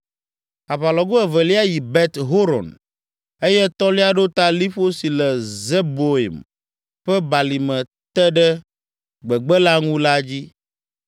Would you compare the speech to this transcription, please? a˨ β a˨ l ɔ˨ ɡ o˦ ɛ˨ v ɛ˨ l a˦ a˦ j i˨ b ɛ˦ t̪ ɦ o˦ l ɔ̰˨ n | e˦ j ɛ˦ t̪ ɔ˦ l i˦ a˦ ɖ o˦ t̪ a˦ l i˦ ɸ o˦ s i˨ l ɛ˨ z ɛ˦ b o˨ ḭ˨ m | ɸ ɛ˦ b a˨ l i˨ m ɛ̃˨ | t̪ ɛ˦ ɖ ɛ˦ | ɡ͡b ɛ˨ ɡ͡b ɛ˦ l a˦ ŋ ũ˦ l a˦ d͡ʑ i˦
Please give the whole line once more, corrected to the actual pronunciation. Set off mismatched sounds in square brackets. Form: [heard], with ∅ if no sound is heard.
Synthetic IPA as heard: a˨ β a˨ l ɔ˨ ɡ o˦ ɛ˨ v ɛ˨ l [i˦] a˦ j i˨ b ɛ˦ t̪ ɦ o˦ [ɾ] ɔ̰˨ n | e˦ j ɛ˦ t̪ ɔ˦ l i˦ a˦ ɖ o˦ t̪ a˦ l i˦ ɸ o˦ s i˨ l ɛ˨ z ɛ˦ b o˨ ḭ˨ m | ɸ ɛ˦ b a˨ l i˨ m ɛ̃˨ | t̪ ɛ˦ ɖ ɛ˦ | ɡ͡b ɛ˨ ɡ͡b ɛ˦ l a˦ ŋ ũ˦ l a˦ d͡ʑ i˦